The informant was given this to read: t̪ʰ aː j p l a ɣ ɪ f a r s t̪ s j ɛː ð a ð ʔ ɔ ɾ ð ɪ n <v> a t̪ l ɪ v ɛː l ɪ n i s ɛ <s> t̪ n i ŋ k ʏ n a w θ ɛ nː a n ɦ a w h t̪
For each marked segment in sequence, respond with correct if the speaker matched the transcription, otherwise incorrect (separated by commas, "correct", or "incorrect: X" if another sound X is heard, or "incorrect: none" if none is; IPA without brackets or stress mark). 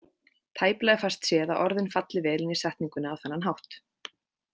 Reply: incorrect: f, incorrect: h